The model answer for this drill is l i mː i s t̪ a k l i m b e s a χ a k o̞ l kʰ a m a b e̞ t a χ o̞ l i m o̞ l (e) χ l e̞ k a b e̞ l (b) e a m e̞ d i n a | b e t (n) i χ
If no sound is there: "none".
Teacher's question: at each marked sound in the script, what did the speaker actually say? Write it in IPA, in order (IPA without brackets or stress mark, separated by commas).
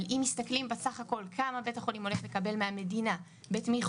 e, m, m